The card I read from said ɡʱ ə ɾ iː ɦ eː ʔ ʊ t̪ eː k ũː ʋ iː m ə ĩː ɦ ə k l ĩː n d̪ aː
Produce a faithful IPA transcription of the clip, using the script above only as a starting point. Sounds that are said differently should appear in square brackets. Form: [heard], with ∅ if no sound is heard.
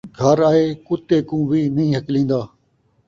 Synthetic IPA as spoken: ɡʱ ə ɾ [aː] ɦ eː [k] ʊ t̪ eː k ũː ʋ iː [n] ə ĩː ɦ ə k l ĩː n d̪ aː